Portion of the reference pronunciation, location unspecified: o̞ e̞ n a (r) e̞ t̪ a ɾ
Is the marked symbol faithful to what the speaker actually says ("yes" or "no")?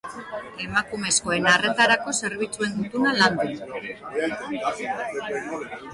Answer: yes